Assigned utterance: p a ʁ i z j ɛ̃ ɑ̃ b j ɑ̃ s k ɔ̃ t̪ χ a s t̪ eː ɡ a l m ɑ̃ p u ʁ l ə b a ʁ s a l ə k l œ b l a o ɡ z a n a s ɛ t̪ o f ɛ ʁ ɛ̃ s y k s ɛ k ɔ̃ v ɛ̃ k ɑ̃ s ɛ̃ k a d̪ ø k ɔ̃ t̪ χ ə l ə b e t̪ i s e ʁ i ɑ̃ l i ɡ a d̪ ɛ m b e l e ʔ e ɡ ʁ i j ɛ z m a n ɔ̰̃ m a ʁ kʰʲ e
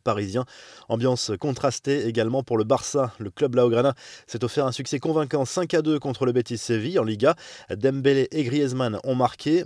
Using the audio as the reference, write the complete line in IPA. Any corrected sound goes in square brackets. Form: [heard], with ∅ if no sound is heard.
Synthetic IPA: p a ʁ i z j ɛ̃ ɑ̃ b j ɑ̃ s k ɔ̃ t̪ χ a s t̪ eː ɡ a l m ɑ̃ p u ʁ l ə b a ʁ s a l ə k l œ b l a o ɡ [ʁ] a n a s ɛ t̪ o f ɛ ʁ ɛ̃ s y k s ɛ k ɔ̃ v ɛ̃ k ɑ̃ s ɛ̃ k a d̪ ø k ɔ̃ t̪ χ ə l ə b e t̪ i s e [v] i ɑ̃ l i ɡ a d̪ ɛ m b e l e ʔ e ɡ ʁ i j ɛ z m a n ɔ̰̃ m a ʁ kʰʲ e